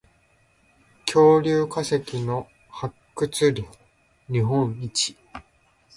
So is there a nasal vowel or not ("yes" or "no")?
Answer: yes